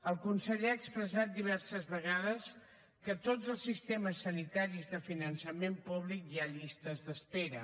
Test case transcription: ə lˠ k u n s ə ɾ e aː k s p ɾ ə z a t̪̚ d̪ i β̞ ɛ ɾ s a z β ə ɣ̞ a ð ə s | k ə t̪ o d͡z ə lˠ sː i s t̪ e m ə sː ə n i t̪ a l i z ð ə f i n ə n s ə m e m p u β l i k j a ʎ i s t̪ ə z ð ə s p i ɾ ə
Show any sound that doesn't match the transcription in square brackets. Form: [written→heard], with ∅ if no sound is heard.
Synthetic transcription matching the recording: ə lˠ k u n s ə [ɾ→ʎ] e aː k s p ɾ ə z a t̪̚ d̪ i β̞ ɛ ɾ s [a→ə] z β ə ɣ̞ a ð ə s | k ə t̪ o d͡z ə lˠ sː i s t̪ e m ə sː ə n i t̪ a [l→ɾ] i z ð ə f i n ə n s ə m e m p u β l i k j a ʎ i s t̪ ə z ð ə s p [i→e] ɾ ə